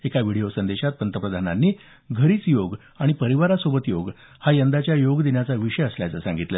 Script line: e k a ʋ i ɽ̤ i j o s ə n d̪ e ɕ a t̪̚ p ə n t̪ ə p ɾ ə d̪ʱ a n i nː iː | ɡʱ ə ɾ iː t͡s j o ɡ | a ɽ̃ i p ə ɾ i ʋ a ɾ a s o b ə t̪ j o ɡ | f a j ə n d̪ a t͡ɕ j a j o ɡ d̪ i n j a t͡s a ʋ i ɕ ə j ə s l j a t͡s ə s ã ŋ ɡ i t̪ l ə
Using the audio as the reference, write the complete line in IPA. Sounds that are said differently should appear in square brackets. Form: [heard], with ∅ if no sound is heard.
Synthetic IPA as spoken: e k a ʋ i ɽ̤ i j o s ə n d̪ e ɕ a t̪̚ p ə n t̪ ə p ɾ ə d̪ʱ a n [a] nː iː | ɡʱ ə ɾ iː t͡s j o ɡ | a ɽ̃ i p ə ɾ i ʋ a ɾ a s o b ə t̪ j o ɡ | [h] a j ə n d̪ a t͡ɕ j a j o ɡ d̪ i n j a t͡s a ʋ i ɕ ə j ə s l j a t͡s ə s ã ŋ ɡ i t̪ l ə